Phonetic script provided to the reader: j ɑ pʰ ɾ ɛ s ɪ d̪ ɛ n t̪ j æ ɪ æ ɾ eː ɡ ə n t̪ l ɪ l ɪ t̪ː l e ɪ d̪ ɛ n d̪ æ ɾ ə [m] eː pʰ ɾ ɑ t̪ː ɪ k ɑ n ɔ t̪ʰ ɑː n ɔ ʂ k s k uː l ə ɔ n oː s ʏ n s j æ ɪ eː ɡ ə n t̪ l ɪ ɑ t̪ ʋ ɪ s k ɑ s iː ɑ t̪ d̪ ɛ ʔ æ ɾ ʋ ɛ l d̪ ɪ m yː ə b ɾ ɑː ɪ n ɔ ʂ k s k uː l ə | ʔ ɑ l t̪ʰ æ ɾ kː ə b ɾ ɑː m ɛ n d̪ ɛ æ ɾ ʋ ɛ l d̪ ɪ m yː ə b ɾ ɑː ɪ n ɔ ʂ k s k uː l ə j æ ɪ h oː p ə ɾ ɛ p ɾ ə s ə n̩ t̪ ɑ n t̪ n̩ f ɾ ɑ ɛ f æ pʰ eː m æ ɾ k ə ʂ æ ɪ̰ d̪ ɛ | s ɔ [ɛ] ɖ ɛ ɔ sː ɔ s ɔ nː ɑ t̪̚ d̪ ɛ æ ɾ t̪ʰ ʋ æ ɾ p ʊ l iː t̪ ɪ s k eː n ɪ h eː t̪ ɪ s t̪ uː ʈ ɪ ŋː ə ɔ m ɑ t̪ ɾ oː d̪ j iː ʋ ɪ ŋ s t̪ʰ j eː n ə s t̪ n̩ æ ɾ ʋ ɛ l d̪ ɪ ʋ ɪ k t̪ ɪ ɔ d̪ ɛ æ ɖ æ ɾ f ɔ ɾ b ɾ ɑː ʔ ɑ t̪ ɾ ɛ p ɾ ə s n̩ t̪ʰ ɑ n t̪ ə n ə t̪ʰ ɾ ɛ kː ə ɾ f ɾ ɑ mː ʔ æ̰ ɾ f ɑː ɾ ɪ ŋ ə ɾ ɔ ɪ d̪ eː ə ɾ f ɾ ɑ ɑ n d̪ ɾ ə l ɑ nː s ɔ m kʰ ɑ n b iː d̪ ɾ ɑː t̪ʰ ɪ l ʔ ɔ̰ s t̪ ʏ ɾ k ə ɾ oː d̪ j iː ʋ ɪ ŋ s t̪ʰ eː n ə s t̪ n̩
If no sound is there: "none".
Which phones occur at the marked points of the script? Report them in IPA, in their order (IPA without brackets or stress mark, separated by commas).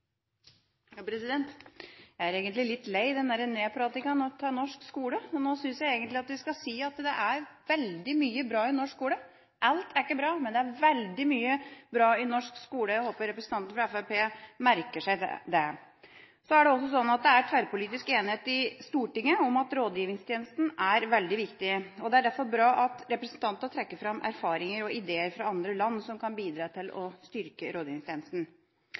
n, æ